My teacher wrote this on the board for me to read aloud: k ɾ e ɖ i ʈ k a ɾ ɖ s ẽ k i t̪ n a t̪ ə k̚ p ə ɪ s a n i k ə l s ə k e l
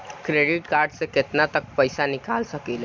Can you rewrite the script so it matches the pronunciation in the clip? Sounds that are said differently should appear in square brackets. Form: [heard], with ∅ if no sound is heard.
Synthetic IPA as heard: k ɾ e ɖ i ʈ k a ɾ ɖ s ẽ k [e] t̪ n a t̪ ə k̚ p ə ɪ s a n i k [a] l s ə k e l